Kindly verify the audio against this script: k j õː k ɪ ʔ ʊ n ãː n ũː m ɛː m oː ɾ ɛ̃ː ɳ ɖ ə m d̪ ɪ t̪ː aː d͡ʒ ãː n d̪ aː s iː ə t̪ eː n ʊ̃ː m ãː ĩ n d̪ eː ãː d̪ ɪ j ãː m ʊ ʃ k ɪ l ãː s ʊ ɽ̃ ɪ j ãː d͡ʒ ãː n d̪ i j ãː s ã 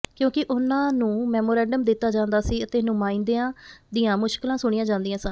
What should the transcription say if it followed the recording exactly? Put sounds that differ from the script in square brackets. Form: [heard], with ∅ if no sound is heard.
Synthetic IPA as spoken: k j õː k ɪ ʔ ʊ n ãː n ũː m ɛː m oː ɾ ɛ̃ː ɳ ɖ ə m d̪ ɪ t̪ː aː d͡ʒ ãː n d̪ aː s iː ə t̪ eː n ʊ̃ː m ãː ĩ n d̪ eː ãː d̪ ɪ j ãː m ʊ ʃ k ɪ l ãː s ʊ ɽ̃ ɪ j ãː d͡ʒ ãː n d̪ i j ãː s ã